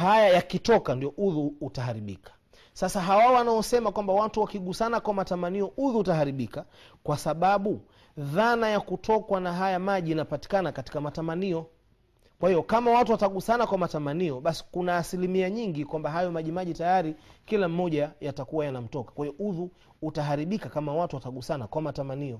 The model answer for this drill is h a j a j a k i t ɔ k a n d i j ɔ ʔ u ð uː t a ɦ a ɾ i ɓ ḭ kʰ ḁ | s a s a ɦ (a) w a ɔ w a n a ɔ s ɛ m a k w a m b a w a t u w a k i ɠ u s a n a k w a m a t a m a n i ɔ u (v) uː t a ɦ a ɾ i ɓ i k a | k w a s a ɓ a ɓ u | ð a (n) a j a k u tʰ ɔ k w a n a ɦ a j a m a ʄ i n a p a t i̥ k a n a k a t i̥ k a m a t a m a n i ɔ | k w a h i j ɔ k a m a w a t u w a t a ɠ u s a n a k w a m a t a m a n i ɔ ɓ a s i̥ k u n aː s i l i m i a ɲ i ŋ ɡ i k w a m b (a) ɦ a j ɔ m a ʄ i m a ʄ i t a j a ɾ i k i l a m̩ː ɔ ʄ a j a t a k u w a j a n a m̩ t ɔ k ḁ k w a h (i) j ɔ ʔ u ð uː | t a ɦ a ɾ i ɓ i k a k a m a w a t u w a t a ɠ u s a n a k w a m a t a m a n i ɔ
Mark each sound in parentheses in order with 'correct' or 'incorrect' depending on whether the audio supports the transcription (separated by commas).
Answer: correct, incorrect, correct, correct, correct